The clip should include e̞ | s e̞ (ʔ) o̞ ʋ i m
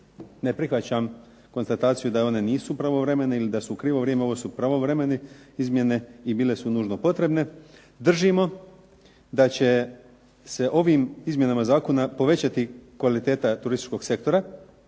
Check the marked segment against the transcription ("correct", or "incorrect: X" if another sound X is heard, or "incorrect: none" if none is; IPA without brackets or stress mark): correct